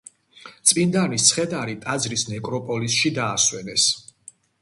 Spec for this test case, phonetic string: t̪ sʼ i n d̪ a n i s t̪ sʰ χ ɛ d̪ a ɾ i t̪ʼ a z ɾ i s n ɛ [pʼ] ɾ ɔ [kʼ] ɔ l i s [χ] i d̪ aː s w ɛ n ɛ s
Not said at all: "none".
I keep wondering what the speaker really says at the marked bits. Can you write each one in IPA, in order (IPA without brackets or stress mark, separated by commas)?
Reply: kʼ, pʼ, ʃ